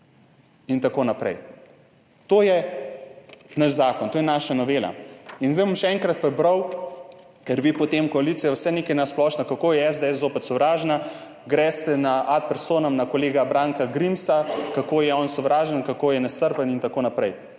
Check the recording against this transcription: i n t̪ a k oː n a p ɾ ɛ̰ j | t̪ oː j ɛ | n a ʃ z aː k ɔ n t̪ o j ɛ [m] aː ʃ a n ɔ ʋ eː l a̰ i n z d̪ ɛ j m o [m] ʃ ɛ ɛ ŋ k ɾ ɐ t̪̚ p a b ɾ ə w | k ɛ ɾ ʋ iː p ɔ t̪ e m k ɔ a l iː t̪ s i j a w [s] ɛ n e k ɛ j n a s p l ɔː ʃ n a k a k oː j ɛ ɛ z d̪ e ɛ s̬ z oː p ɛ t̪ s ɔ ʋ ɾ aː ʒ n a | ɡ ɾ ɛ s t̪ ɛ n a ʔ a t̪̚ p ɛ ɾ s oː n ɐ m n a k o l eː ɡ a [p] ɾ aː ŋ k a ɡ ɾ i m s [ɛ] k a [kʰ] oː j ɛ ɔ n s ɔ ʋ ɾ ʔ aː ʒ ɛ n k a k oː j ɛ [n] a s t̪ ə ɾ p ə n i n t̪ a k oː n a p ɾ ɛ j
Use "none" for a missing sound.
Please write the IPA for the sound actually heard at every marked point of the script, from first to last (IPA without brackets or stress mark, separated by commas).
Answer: n, m, s, b, a, k, n